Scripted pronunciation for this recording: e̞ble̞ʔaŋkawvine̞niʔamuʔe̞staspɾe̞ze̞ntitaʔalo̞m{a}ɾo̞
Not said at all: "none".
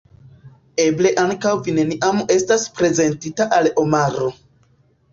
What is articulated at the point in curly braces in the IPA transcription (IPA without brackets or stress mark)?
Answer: a